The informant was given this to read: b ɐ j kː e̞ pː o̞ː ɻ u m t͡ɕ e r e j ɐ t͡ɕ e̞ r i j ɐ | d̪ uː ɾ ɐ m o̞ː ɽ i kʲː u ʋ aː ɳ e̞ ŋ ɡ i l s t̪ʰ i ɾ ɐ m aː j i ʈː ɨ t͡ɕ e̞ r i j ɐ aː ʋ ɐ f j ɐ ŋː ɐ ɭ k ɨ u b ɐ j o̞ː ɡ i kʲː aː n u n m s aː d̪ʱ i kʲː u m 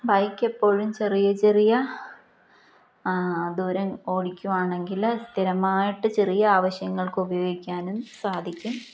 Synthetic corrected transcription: b ɐ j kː e̞ pː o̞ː ɻ u m t͡ɕ e r i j ɐ t͡ɕ e̞ r i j ɐ | d̪ uː ɾ ɐ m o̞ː ɽ i kʲː u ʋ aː ɳ e̞ ŋ ɡ i l s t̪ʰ i ɾ ɐ m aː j i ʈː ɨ t͡ɕ e̞ r i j ɐ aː ʋ ɐ ɕ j ɐ ŋː ɐ ɭ k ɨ u b ɐ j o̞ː ɡ i kʲː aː n u m s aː d̪ʱ i kʲː u m